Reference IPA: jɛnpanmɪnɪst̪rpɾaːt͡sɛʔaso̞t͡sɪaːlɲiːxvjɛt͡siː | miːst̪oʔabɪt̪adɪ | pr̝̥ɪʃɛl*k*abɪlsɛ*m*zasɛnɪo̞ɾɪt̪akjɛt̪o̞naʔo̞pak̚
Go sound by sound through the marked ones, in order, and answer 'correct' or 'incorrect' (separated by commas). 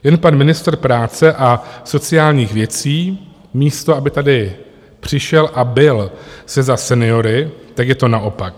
incorrect, incorrect